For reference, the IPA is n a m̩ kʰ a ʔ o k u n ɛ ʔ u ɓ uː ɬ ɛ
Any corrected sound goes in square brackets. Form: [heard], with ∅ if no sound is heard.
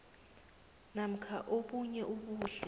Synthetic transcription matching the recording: n a m̩ kʰ a ʔ o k u [ɲ] ɛ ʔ u ɓ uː ɬ ɛ

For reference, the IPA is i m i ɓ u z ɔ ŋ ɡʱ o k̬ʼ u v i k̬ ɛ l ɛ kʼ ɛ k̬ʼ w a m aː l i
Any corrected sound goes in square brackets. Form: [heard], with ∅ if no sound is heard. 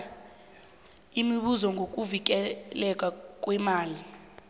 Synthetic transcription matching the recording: i m i ɓ u z ɔ ŋ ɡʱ o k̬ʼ u v i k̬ ɛ l ɛ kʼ [a] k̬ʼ w [ɛ] m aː l i

